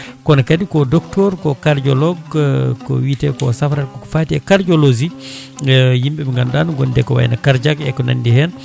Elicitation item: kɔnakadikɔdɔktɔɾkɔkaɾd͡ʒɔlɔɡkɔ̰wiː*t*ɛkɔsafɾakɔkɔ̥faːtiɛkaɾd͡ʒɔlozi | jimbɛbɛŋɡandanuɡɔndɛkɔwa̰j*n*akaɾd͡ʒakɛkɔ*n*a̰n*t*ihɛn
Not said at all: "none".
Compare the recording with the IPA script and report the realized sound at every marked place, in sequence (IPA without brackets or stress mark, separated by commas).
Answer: t, n, n, d